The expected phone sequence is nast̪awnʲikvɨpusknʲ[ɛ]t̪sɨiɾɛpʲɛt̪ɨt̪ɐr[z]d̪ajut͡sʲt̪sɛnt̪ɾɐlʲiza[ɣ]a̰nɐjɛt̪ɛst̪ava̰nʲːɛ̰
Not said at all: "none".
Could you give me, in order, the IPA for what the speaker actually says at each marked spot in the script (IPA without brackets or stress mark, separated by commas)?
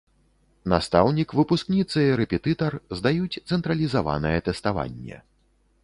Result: i, z, v